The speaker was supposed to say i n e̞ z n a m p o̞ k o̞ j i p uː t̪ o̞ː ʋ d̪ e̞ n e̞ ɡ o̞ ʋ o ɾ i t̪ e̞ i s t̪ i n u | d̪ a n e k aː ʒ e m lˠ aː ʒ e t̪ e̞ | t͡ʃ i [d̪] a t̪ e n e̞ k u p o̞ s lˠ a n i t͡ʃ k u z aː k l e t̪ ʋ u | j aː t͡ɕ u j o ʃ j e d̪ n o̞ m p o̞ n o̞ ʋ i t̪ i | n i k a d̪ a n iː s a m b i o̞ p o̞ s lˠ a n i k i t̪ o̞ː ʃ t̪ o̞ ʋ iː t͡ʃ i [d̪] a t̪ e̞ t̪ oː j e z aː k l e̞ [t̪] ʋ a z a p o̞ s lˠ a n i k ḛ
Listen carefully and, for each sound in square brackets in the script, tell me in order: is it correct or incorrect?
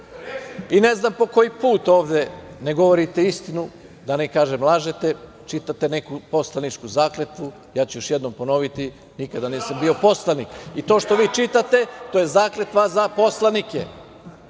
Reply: incorrect: t̪, incorrect: t̪, correct

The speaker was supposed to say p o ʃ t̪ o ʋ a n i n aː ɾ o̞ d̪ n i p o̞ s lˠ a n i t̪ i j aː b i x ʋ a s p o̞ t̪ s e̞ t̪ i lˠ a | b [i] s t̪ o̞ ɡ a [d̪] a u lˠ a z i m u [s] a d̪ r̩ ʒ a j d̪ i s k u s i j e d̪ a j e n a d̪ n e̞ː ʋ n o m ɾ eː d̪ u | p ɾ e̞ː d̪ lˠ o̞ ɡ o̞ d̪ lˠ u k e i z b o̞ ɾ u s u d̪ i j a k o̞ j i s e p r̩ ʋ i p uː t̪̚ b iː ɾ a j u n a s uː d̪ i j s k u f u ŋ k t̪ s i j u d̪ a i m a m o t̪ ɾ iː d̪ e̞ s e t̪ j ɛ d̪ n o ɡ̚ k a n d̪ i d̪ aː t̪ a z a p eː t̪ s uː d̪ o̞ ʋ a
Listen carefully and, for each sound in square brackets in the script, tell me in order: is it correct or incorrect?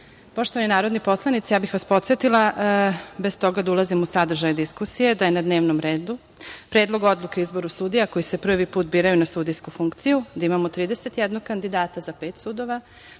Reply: incorrect: e, correct, correct

